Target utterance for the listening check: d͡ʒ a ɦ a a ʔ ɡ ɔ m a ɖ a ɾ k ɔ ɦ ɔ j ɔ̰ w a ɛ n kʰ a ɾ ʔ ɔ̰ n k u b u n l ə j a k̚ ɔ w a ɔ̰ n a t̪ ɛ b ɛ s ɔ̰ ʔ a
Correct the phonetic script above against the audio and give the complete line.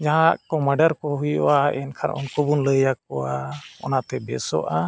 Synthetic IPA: d͡ʒ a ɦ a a ʔ k ɔ m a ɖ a ɾ k ɔ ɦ u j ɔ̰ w a ɛ n kʰ a ɾ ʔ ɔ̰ n k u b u n l ə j a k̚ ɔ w a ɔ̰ n a t̪ ɛ b ɛ s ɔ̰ ʔ a